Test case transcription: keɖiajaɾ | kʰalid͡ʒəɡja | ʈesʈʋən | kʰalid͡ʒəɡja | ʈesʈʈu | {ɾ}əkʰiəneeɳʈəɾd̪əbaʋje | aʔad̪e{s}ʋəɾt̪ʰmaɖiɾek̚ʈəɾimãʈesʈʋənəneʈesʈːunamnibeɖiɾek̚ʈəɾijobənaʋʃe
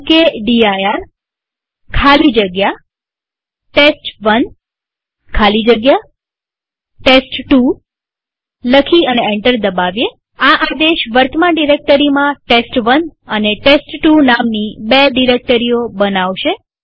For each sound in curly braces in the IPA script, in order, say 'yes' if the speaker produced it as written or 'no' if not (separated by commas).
no, no